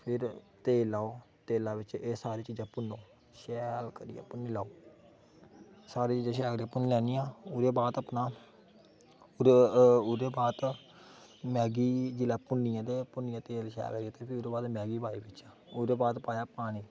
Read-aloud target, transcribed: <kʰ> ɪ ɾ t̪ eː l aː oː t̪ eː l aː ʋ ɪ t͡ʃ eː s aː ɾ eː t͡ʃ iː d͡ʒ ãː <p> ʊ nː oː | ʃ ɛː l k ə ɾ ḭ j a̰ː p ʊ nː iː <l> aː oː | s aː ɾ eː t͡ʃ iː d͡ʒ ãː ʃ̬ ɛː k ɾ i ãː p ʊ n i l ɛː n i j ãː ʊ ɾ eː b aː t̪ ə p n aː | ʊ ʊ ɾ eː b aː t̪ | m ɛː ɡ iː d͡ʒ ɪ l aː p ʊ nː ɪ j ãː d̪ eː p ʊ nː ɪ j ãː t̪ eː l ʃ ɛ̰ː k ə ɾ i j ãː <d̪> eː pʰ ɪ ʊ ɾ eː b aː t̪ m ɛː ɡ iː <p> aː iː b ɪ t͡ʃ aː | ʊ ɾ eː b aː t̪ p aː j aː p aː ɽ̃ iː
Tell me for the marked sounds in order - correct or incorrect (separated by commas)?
incorrect, correct, correct, incorrect, incorrect